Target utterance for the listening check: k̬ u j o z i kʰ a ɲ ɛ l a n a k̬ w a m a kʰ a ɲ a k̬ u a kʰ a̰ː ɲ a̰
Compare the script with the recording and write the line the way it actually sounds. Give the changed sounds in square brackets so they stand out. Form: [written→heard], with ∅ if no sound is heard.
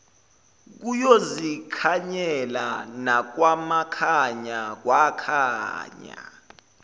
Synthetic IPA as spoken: k̬ u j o z i kʰ a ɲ ɛ l a n a k̬ w a m a kʰ a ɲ a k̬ [u→w] a kʰ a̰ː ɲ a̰